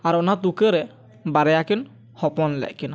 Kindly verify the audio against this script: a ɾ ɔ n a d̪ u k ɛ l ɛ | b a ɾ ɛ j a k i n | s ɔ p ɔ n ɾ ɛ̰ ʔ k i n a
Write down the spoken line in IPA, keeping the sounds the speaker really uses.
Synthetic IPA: a ɾ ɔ n a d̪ u k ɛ ɾ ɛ | b a ɾ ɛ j a k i n | h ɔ p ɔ n l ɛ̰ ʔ k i n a